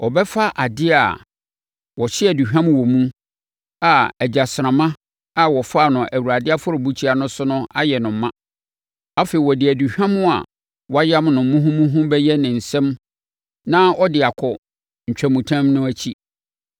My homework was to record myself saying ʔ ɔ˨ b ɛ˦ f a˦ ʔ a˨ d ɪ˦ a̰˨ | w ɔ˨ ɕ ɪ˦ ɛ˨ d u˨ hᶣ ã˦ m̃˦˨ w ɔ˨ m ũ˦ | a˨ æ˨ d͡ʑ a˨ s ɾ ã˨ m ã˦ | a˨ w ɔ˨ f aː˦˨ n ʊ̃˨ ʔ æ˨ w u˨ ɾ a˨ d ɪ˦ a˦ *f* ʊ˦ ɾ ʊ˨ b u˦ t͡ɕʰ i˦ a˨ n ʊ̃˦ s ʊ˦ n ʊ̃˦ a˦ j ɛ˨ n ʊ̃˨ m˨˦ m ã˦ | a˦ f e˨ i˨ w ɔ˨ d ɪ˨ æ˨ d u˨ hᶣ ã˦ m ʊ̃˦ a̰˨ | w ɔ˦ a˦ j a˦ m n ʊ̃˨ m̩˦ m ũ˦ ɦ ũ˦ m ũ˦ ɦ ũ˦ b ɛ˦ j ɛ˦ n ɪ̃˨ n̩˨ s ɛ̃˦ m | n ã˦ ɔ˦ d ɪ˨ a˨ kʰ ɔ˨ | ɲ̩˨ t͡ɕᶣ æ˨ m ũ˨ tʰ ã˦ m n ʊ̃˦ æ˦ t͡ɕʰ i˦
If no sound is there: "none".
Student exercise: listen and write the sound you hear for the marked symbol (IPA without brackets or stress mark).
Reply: f